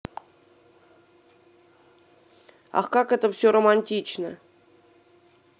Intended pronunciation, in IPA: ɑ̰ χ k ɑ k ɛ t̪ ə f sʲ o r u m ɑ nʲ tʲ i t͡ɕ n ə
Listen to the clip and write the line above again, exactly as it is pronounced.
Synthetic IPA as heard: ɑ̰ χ k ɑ k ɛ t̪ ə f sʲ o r o m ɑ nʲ tʲ i t͡ɕ n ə

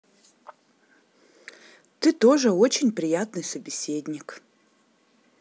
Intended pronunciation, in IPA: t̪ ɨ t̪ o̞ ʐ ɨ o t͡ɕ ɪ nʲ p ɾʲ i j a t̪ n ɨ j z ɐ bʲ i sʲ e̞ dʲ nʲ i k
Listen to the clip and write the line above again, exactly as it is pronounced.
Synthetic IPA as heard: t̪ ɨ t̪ o̞ ʐ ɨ o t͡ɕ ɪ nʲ p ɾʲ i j a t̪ n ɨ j s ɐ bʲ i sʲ e̞ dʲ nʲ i k

